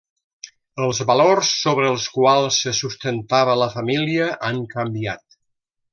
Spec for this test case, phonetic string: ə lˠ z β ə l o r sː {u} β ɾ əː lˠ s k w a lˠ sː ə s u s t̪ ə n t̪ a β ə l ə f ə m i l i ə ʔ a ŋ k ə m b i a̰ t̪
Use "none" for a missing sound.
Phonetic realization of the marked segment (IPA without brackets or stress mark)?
o